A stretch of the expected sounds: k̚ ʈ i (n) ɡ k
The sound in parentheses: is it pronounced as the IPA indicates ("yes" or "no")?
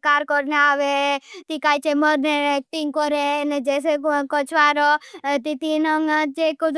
no